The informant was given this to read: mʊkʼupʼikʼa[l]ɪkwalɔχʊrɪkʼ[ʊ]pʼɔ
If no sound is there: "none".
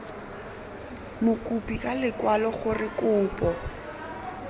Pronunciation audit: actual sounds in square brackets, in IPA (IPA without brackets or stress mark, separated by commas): l, ʊː